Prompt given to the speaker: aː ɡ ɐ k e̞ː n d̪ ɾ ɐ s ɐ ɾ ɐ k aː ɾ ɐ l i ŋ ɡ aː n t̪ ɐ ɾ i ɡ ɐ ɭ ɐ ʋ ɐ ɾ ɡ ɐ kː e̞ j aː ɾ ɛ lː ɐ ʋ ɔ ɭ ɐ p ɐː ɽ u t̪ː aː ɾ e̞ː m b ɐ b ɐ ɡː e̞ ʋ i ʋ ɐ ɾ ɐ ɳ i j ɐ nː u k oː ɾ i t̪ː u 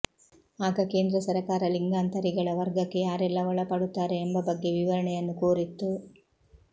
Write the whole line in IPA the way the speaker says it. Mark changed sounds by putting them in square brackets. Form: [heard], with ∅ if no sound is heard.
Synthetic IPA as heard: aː ɡ ɐ k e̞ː n d̪ ɾ ɐ s ɐ ɾ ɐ k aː ɾ ɐ l i ŋ ɡ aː n t̪ ɐ ɾ i ɡ ɐ ɭ ɐ ʋ ɐ ɾ ɡ ɐ kː e̞ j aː ɾ ɛ lː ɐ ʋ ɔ ɭ ɐ p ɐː ɽ u t̪ː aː ɾ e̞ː m b ɐ b ɐ ɡː e̞ ʋ i ʋ ɐ ɾ ɐ ɳ [ɛ] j ɐ nː u k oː ɾ i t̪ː u